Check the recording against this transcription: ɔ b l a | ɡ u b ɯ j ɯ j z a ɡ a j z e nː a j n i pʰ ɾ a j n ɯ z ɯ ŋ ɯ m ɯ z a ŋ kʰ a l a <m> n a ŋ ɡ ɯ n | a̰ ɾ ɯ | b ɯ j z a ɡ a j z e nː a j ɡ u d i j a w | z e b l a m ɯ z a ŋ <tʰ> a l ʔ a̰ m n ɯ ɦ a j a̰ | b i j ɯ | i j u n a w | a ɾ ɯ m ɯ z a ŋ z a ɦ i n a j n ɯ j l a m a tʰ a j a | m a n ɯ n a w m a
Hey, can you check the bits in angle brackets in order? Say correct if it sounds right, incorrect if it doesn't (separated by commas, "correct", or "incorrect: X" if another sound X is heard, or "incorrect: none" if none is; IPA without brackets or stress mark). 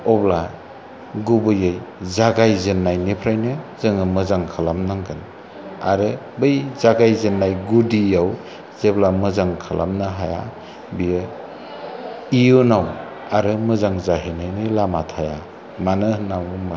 correct, incorrect: kʰ